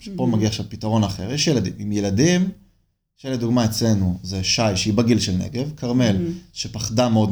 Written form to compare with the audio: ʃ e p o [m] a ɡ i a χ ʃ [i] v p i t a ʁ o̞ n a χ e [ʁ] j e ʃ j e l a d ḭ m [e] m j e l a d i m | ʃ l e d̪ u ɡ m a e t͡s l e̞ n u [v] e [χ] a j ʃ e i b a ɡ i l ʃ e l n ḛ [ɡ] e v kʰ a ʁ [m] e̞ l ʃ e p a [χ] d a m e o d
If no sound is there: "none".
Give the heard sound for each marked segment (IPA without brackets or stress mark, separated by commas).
m, a, ʁ, i, z, ʃ, ɡ, m, χ